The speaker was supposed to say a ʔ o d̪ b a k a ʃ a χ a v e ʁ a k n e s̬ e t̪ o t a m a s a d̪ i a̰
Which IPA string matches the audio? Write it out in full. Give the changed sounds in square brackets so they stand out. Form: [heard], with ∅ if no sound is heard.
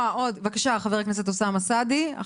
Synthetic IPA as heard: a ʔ o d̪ [v] a k a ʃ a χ a v e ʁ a k n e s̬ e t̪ o [s] a m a s a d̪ i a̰